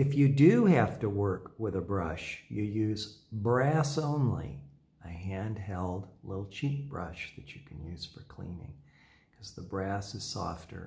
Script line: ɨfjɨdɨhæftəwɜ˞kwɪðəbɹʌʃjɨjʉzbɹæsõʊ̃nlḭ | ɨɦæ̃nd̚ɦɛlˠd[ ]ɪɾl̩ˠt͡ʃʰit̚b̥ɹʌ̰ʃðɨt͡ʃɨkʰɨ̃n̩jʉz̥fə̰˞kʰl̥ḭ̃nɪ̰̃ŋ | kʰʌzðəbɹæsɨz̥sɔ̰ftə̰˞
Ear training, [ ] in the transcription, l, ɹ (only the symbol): l